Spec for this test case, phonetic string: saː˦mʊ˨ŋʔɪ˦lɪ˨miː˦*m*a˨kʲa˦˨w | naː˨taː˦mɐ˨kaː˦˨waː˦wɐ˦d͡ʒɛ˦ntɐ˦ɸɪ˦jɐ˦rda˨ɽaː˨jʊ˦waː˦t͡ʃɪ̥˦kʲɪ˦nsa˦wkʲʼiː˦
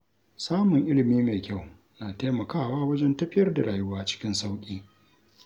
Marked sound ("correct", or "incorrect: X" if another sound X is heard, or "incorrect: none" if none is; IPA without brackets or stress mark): correct